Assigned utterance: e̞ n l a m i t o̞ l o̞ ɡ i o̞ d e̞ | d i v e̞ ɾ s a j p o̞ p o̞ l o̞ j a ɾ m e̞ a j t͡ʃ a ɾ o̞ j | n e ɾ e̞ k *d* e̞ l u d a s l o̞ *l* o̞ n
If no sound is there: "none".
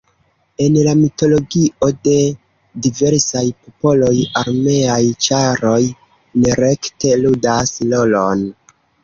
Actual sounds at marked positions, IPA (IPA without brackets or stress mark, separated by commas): t, l